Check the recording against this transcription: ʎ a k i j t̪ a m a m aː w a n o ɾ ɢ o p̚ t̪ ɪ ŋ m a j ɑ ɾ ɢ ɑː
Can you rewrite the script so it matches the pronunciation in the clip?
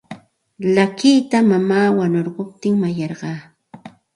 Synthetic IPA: l a k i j t̪ a m a m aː w a n o ɾ ɢ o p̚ t̪ ɪ ŋ m a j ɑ ɾ ɢ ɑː